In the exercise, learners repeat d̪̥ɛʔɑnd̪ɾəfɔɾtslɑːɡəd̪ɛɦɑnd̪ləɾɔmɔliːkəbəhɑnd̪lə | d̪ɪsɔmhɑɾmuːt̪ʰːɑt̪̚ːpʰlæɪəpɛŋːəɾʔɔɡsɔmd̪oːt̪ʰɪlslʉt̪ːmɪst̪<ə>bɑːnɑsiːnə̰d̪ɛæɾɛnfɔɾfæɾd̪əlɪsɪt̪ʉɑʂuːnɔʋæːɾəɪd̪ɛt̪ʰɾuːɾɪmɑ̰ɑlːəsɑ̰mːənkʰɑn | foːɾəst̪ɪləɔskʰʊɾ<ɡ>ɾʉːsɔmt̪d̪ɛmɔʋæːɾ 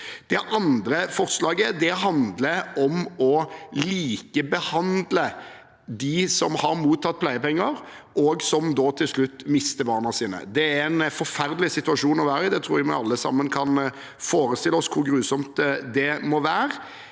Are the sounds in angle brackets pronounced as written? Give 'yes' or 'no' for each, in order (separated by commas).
yes, yes